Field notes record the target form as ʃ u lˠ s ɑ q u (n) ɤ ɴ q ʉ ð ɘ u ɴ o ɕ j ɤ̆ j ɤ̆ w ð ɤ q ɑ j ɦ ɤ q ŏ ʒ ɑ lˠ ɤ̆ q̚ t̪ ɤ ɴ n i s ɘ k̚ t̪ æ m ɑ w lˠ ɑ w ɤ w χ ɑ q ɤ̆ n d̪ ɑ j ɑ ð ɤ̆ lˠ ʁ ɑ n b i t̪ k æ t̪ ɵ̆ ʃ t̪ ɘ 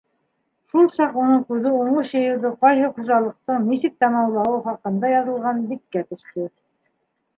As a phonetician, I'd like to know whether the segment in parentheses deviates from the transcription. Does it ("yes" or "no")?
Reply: no